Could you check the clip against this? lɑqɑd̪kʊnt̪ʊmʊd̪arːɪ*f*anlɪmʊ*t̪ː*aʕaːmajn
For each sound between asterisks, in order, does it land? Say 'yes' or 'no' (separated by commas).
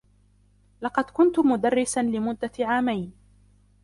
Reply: no, no